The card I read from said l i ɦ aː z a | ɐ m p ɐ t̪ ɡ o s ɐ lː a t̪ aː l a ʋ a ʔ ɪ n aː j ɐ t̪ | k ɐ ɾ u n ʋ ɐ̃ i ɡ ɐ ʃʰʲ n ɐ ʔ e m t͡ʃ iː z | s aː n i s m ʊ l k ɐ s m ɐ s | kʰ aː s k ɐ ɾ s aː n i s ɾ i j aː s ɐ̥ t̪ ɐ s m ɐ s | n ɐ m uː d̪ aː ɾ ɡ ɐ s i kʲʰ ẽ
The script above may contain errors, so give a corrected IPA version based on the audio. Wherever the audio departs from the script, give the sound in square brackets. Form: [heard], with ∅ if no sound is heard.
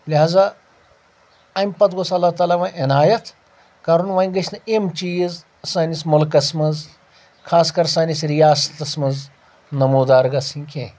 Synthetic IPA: l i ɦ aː z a | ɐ m p ɐ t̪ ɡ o s ɐ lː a t̪ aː l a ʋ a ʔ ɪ n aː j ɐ t̪ | k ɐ ɾ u n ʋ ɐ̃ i ɡ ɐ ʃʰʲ n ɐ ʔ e m t͡ʃ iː z | s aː n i s m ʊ l k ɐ s m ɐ [z] | kʰ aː s k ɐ ɾ s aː n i s ɾ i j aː s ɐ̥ t̪ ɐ s m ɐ [z] | n ɐ m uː d̪ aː ɾ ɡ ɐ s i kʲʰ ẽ

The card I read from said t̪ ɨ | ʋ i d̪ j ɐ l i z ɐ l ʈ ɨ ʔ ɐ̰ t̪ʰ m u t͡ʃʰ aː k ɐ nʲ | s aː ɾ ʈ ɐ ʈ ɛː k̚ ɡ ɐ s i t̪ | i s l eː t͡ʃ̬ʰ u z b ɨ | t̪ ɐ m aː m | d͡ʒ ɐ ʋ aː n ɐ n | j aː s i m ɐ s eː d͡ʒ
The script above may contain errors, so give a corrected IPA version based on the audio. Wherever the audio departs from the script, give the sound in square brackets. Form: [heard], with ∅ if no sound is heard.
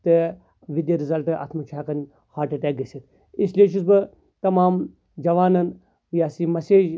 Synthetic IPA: t̪ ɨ | ʋ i d̪ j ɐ [ɾ] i z ɐ l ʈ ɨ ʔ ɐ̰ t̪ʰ m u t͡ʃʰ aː k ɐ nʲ | [h] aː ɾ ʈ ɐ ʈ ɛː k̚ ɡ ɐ s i t̪ | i s l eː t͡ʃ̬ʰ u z b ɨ | t̪ ɐ m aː m | d͡ʒ ɐ ʋ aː n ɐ n | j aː s i m ɐ s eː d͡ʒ

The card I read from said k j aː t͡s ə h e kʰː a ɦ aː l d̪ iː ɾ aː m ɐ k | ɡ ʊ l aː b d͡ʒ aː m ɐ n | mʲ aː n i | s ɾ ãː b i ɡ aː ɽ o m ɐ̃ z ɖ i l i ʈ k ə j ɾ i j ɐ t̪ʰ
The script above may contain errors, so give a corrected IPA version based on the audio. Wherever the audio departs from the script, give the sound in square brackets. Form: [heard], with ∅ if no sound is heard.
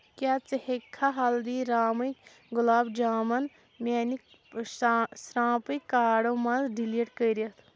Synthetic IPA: k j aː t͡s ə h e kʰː a ɦ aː l d̪ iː ɾ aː m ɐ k | ɡ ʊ l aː b d͡ʒ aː m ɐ n | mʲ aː n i | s ɾ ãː [p] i [k] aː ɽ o m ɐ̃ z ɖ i l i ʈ k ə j ɾ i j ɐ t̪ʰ

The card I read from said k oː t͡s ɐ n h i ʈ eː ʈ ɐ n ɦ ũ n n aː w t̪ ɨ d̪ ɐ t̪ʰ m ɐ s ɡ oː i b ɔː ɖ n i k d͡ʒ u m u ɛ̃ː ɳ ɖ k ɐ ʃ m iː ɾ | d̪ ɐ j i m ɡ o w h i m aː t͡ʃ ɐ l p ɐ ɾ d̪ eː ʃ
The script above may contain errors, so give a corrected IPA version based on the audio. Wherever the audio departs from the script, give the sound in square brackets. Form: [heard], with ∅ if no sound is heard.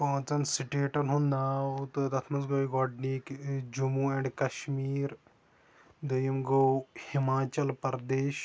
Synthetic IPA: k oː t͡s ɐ n [s] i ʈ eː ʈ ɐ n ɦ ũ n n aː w t̪ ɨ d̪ ɐ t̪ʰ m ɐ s ɡ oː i [ɡ] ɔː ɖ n i k d͡ʒ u m u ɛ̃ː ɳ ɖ k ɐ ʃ m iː ɾ | d̪ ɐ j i m ɡ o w h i m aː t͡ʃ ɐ l p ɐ ɾ d̪ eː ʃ

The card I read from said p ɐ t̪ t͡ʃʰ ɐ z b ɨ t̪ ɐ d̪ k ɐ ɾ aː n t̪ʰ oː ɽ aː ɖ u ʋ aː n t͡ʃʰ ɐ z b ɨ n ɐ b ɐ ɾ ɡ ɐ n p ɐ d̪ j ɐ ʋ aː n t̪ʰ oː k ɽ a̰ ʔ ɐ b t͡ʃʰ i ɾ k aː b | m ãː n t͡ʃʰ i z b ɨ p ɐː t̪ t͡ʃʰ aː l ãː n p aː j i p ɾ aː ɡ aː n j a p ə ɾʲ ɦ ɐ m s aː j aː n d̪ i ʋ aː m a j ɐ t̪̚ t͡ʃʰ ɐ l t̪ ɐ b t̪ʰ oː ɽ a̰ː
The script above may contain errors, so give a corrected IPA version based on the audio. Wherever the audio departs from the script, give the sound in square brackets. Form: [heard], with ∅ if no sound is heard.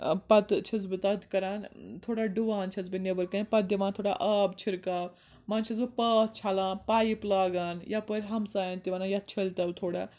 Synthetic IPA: p ɐ t̪ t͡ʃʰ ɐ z b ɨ t̪ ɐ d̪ k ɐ ɾ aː n t̪ʰ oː ɽ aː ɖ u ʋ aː n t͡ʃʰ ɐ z b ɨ n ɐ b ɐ ɾ [k] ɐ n p ɐ d̪ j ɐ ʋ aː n t̪ʰ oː [∅] ɽ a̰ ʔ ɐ b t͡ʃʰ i ɾ k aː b | m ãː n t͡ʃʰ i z b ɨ p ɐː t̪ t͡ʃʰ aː l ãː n p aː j i p [l] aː ɡ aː n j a p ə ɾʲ ɦ ɐ m s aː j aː n [t̪] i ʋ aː [n] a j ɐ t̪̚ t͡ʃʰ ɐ l t̪ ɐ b t̪ʰ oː ɽ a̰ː

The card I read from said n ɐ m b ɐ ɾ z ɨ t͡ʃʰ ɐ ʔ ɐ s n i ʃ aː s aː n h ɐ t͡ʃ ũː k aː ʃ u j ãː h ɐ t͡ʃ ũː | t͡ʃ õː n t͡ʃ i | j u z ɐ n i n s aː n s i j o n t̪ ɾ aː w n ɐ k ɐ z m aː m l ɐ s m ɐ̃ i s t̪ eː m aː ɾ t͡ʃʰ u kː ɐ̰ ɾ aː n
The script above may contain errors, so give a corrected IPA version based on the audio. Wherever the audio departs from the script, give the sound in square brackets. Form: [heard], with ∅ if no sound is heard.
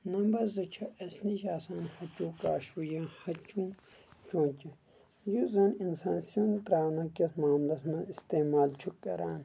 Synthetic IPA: n ɐ m b ɐ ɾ z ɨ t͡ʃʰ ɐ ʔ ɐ s n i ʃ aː s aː n h ɐ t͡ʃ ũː k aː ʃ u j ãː h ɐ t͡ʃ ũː | t͡ʃ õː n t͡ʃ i | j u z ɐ n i n s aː n s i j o n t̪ ɾ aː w n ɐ k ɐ [s] m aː m l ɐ s m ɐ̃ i s t̪ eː m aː [l] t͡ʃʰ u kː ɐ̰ ɾ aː n

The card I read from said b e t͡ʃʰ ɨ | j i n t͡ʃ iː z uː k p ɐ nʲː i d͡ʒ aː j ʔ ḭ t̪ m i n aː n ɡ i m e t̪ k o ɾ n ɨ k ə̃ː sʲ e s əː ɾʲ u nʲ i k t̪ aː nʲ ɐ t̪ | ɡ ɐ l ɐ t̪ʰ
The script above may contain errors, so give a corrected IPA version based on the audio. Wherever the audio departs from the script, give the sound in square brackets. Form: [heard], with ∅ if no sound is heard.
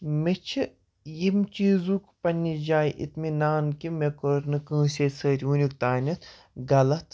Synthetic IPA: [m] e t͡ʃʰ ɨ | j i [m] t͡ʃ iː z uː k p ɐ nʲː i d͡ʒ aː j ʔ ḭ t̪ m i n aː n [k] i m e [∅] k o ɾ n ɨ k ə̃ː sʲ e s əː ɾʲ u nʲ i k t̪ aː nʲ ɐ t̪ | ɡ ɐ l ɐ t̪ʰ

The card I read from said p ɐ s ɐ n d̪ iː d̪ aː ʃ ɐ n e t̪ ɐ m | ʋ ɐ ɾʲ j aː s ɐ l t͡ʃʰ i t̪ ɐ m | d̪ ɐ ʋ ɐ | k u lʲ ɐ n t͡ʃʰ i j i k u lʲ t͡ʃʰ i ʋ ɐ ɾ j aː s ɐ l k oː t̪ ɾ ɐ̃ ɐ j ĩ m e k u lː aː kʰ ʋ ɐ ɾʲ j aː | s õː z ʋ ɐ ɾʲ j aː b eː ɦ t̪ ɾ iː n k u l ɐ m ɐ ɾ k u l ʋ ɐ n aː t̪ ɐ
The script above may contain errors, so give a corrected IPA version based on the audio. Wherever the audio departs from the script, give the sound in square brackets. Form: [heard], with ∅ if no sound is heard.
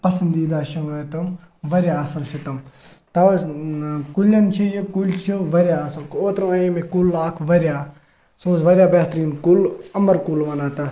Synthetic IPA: p ɐ s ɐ n d̪ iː d̪ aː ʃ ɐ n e t̪ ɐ m | ʋ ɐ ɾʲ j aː s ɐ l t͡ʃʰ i t̪ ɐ m | [t̪] ɐ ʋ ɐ | k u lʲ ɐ n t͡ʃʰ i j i k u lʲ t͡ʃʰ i ʋ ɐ ɾ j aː s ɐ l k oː t̪ ɾ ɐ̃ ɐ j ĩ m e k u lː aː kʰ ʋ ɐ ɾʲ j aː | s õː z ʋ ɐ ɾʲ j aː b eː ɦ t̪ ɾ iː n k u l ɐ m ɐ ɾ k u l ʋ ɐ n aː t̪ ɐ

